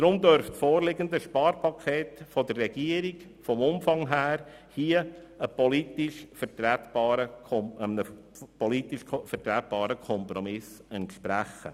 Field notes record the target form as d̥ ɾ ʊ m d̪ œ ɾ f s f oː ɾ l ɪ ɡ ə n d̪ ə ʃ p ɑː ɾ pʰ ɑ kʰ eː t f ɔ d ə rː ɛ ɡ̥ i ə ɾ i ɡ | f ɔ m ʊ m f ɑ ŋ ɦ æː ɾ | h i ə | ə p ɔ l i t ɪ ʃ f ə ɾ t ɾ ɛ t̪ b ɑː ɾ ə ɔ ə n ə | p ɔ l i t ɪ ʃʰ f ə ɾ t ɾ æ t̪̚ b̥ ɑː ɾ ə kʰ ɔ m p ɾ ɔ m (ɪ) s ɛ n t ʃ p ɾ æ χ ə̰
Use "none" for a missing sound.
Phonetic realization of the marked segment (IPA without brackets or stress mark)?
ɪ